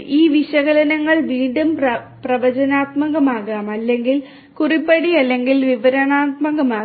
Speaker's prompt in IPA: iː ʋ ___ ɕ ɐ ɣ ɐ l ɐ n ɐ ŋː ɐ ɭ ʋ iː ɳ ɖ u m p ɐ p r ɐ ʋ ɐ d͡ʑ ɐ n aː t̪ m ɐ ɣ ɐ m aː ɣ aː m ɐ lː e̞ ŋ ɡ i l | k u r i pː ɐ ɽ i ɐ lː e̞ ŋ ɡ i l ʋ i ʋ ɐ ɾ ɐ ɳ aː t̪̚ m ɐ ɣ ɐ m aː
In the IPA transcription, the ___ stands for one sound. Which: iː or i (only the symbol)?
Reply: i